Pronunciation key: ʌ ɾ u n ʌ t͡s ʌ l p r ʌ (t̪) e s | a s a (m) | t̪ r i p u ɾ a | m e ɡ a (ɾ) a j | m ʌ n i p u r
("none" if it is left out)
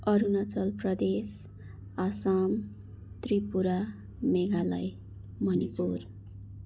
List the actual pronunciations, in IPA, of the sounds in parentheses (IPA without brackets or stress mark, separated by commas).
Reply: d̪, m, l